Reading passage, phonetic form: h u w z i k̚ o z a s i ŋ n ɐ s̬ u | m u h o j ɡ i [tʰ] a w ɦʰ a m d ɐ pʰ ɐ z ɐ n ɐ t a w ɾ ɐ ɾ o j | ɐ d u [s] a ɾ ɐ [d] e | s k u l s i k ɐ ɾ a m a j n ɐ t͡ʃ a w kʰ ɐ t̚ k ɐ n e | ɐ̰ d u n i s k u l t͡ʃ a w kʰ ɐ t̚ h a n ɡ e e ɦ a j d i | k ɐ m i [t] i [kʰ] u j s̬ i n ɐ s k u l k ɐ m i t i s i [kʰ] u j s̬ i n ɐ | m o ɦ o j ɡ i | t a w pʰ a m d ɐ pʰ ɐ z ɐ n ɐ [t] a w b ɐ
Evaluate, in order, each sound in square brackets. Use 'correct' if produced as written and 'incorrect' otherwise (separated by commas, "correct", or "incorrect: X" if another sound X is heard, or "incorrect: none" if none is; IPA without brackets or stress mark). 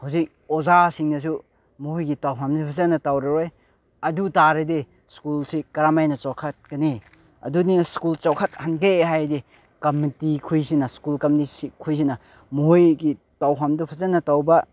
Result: incorrect: t, incorrect: t, correct, correct, correct, correct, correct